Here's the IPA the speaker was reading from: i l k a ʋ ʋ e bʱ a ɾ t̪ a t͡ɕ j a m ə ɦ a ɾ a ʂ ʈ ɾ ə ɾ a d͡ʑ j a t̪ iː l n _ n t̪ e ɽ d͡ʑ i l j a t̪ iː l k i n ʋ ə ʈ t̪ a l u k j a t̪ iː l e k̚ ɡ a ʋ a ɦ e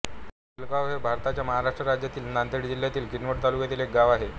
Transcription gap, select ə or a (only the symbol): a